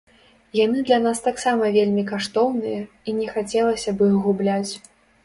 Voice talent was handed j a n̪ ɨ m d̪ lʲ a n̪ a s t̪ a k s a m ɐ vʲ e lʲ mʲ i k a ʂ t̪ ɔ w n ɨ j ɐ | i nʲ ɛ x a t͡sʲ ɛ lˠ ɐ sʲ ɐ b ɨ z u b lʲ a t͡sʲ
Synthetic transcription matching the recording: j a n̪ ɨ d̪ lʲ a n̪ a s t̪ a k s a m ɐ vʲ e lʲ mʲ i k a ʂ t̪ ɔ w n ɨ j ɐ | i nʲ ɛ x a t͡sʲ ɛ lˠ ɐ sʲ ɐ b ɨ ɣ u b lʲ a t͡sʲ

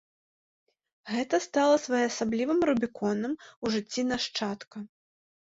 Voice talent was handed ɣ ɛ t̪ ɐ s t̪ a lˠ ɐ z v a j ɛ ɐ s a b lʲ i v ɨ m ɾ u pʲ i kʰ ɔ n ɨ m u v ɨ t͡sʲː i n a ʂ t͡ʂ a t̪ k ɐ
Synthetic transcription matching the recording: ɣ ɛ t̪ ɐ s t̪ a lˠ ɐ s v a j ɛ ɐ s a b lʲ i v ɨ m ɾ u bʲ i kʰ ɔ n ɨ m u ʐ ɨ t͡sʲː i n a ʂ t͡ʂ a t̪ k ɐ

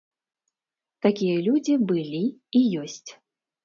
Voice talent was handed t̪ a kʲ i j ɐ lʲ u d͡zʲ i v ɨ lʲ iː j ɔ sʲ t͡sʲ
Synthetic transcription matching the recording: t̪ a kʲ i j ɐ lʲ u d͡zʲ i b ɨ lʲ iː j ɔ sʲ t͡sʲ

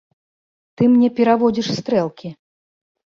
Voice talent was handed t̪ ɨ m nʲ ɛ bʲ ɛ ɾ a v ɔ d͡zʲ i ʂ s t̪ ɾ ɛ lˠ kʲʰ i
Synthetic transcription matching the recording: t̪ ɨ m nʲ ɛ pʲ ɛ ɾ a v ɔ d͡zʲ i ʂ s t̪ ɾ ɛ lˠ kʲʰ i

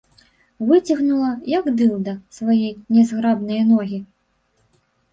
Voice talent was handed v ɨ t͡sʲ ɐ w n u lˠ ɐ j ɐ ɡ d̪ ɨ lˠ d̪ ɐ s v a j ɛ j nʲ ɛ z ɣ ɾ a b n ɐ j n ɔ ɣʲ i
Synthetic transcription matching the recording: v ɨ t͡sʲ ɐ ɣ n u lˠ ɐ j ɐ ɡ d̪ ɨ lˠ d̪ ɐ s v a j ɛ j nʲ ɛ z ɣ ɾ a b n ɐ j n ɔ ɣʲ i

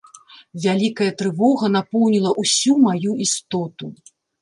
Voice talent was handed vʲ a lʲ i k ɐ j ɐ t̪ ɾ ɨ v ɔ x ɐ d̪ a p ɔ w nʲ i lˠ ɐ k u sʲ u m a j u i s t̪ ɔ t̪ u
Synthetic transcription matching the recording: vʲ a lʲ i k ɐ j ɐ t̪ ɾ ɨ v ɔ ɣ ɐ n̪ a p ɔ w nʲ i lˠ ɐ ʔ u sʲ u m a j u i s t̪ ɔ t̪ u

